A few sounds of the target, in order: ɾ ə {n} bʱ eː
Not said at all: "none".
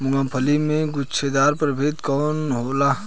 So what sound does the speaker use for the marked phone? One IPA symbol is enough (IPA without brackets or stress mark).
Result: none